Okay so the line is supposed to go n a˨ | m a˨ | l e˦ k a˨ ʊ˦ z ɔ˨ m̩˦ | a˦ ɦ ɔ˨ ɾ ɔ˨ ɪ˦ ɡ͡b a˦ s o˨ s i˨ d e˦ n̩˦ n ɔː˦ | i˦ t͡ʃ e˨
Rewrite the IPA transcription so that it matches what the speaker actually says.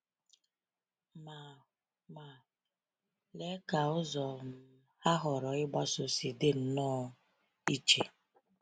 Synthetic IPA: m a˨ | m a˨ | l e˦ k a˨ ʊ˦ z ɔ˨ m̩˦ | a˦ ɦ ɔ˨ ɾ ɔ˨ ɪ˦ ɡ͡b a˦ s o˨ s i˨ d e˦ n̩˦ n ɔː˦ | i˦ t͡ʃ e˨